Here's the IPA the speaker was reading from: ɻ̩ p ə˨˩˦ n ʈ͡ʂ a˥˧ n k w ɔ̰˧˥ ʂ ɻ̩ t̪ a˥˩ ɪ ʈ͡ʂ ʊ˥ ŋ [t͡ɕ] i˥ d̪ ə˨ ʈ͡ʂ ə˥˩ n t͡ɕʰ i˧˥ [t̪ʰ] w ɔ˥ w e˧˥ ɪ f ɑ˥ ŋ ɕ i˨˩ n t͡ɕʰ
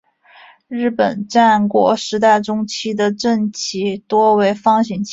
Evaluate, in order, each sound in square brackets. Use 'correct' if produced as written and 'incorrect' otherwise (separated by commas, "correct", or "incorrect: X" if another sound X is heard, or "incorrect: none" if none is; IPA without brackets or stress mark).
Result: incorrect: t͡ɕʰ, incorrect: t̪